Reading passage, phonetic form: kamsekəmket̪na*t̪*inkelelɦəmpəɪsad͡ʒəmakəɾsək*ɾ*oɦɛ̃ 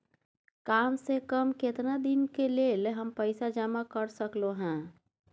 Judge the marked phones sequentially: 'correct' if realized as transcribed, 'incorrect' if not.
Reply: incorrect, incorrect

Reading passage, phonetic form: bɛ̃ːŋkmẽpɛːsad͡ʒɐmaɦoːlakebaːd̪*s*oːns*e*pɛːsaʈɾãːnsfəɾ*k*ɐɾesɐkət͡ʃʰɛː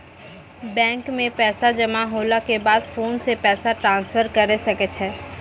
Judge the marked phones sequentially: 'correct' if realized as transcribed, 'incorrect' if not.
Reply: incorrect, correct, correct

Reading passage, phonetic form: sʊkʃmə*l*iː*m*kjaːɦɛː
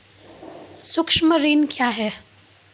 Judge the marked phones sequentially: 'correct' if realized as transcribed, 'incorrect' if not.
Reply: incorrect, incorrect

